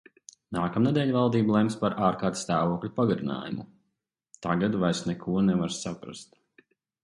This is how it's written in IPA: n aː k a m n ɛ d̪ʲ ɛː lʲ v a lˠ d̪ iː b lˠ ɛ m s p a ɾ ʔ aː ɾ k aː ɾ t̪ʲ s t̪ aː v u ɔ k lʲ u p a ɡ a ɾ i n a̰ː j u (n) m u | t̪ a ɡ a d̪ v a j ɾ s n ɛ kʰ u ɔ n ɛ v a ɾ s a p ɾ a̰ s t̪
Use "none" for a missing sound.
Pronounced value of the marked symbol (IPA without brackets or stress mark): none